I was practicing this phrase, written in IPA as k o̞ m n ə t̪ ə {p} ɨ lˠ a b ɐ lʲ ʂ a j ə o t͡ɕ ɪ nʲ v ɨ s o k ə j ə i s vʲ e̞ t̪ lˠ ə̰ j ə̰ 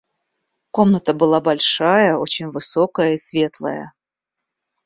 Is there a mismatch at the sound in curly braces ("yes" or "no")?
yes